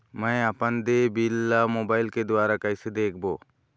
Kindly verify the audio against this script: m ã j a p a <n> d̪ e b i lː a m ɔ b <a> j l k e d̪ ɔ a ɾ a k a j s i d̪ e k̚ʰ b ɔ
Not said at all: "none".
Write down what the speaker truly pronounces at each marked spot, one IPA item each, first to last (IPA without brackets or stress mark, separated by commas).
n, a